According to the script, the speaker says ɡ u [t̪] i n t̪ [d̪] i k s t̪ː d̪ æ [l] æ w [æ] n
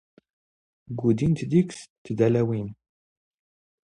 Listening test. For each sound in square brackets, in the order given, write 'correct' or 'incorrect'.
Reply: incorrect: d̪, correct, correct, incorrect: i

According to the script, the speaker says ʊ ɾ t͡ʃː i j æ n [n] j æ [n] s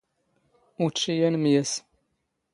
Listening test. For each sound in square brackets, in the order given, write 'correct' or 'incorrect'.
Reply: incorrect: m, incorrect: none

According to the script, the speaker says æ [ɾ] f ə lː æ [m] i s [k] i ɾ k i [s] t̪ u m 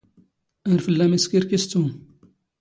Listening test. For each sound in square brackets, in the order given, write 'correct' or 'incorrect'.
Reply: correct, correct, correct, correct

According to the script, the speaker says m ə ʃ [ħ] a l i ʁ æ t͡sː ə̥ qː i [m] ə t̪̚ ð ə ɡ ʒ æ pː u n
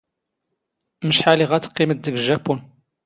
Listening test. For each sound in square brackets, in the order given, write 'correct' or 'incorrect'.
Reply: correct, correct

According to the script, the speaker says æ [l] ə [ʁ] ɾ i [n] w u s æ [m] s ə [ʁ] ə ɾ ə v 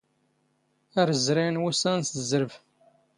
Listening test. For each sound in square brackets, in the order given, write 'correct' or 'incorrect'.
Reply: incorrect: ɾ, incorrect: z, correct, incorrect: n, incorrect: z

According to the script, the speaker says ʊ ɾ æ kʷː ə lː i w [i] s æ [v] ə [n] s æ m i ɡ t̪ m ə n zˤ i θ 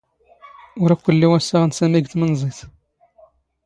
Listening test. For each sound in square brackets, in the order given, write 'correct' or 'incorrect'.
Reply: incorrect: æ, incorrect: ʁ, correct

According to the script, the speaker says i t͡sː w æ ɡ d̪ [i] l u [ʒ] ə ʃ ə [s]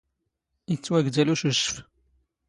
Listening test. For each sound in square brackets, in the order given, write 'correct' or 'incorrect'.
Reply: incorrect: æ, incorrect: ʃ, incorrect: f

